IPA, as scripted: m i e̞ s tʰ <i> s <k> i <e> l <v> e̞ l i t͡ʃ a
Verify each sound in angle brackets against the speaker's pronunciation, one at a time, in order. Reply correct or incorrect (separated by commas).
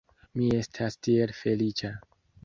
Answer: incorrect, incorrect, correct, incorrect